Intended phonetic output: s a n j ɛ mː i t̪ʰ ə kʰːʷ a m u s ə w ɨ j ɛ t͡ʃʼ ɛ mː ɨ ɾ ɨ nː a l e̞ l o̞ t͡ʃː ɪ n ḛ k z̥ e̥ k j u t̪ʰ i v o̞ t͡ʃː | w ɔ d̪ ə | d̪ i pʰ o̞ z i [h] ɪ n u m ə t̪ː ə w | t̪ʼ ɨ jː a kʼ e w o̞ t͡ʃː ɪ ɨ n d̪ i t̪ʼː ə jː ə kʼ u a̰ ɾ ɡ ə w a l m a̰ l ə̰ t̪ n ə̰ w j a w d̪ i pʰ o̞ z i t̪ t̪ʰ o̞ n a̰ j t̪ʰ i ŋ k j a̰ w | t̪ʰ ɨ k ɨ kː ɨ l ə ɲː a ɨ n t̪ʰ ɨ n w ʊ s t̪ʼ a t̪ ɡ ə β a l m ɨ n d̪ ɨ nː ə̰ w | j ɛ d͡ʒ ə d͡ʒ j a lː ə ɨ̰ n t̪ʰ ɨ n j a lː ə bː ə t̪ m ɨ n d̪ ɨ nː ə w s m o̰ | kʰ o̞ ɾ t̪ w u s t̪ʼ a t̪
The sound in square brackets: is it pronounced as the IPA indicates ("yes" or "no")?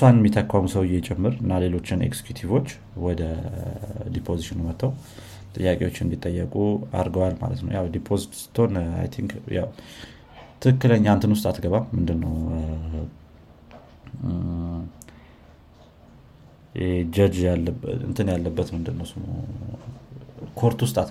no